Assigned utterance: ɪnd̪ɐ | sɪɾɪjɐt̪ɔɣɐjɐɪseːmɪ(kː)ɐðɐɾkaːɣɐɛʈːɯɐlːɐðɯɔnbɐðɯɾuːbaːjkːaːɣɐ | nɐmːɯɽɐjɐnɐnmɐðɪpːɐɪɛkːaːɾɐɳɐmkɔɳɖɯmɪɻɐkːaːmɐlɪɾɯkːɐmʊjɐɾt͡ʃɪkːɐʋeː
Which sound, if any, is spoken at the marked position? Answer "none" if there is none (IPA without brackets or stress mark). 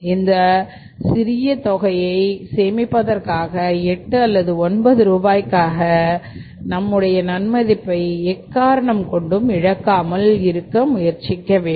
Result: pː